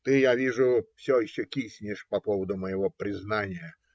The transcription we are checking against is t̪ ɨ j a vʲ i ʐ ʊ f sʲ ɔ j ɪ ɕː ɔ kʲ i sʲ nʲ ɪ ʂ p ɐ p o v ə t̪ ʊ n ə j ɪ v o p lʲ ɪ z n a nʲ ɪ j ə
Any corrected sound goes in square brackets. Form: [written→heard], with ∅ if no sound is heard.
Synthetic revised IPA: t̪ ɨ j a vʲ i ʐ ʊ f sʲ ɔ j ɪ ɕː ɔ kʲ i sʲ nʲ ɪ ʂ p ɐ p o v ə [t̪→d̪] ʊ [n→m] ə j ɪ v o p [lʲ→ɾʲ] ɪ z n a nʲ ɪ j ə